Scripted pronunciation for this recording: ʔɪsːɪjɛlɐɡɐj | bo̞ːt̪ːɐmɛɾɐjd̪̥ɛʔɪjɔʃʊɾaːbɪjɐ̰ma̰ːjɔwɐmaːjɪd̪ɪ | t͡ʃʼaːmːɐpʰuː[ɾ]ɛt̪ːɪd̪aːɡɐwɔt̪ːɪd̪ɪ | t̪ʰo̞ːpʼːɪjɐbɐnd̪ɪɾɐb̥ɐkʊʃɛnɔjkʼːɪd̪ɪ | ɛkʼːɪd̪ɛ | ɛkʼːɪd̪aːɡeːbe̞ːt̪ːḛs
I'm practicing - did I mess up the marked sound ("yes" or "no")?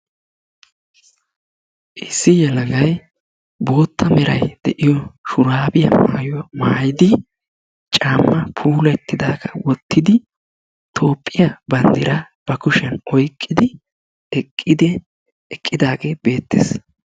yes